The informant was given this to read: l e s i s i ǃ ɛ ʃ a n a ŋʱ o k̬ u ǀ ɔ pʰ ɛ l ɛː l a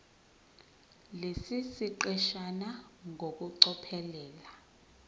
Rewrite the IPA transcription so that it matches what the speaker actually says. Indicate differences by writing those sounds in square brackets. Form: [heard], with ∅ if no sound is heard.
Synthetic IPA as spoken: l e s i s i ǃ ɛ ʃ a n a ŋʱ o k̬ u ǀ ɔ pʰ ɛ l ɛː l a

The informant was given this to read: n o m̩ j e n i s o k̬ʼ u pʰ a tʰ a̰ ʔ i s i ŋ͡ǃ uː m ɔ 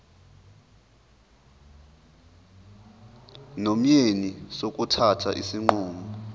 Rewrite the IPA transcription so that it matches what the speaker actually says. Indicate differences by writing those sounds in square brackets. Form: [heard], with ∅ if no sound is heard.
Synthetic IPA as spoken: n o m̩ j e n i s o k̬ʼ u [tʰ] a tʰ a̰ ʔ i s i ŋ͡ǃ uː [ŋ] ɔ

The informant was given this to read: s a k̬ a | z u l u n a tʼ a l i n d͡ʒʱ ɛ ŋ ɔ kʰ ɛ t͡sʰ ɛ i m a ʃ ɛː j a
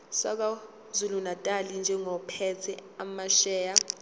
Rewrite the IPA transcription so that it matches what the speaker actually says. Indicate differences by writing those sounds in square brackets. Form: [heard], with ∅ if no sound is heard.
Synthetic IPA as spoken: s a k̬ a | z u l u n a tʼ a l i n d͡ʒʱ ɛ ŋ ɔ [pʰ] ɛ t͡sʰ ɛ [a] m a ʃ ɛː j a

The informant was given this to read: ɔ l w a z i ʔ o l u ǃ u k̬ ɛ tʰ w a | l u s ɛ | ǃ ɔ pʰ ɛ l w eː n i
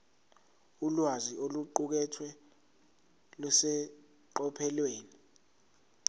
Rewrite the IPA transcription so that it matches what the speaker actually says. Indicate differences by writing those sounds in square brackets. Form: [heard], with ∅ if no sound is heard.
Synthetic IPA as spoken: [u] l w a z i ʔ o l u ǃ u k̬ ɛ tʰ w [ɛ] | l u s ɛ | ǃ ɔ pʰ ɛ l w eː n i

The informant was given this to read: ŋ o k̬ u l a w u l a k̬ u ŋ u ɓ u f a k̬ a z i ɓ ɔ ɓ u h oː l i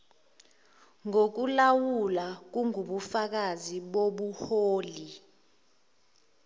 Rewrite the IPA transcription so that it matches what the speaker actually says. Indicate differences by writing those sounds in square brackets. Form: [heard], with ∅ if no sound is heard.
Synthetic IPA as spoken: ŋ o k̬ u l a w u l a k̬ u ŋ u ɓ u f a k̬ a z i ɓ [o] ɓ u h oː l i

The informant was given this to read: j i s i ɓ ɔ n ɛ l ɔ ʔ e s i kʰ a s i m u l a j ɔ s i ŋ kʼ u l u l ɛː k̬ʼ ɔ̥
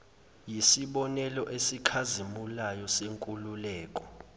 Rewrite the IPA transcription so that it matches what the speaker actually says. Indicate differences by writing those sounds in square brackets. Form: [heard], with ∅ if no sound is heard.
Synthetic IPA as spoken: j i s i ɓ ɔ n ɛ l ɔ ʔ e s i kʰ a [z] i m u l a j ɔ s [e] ŋ kʼ u l u l ɛː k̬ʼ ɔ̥

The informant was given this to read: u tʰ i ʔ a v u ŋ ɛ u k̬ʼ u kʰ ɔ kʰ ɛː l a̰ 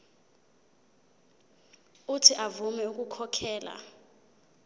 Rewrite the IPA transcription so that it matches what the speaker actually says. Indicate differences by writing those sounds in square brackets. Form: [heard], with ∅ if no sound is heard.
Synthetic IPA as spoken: u tʰ i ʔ a v u [m] ɛ u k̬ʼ u kʰ ɔ kʰ ɛː l a̰

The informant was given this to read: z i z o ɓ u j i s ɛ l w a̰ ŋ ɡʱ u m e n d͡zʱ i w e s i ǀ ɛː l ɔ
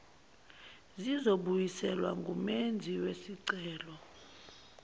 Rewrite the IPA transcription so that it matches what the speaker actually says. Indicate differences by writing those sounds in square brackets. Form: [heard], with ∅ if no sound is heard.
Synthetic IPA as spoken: z i z o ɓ u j i s ɛ l w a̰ ŋ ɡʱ u m e n d͡zʱ i w e s i ǀ ɛː l ɔ

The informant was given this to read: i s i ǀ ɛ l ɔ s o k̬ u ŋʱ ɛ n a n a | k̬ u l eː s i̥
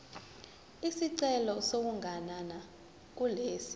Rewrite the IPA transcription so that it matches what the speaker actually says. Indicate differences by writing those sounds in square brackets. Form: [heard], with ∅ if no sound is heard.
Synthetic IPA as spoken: i s i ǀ ɛ l ɔ s o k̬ u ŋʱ [a] n a n a | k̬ u l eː s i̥

